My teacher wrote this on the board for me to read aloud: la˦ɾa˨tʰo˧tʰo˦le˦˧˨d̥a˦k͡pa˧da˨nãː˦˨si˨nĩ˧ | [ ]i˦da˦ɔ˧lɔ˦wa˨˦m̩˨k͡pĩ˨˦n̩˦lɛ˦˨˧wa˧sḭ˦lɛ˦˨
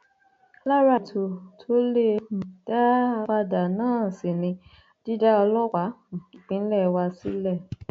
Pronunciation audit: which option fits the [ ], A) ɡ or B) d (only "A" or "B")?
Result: B